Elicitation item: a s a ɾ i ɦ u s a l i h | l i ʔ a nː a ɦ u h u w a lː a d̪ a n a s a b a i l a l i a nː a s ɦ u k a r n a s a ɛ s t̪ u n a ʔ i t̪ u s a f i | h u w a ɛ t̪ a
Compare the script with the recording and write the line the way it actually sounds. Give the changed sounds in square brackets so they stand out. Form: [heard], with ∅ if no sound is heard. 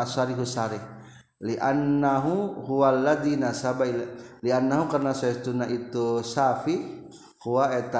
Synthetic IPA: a s a ɾ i ɦ u s a [ɾ] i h | l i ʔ a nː a ɦ u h u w a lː a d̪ [i] n a s a b a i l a l i a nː a [∅] ɦ u k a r n a s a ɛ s t̪ u n a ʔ i t̪ u s a f i | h u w a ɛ t̪ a